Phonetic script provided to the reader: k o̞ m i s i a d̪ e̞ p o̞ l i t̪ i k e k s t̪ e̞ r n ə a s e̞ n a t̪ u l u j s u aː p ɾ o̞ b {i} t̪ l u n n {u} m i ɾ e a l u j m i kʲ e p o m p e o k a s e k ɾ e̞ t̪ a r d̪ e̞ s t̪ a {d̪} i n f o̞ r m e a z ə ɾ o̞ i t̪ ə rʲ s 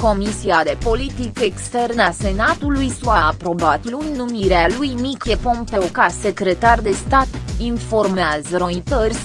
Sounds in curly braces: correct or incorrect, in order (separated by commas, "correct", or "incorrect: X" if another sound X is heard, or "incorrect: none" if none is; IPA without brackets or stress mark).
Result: incorrect: a, correct, incorrect: t̪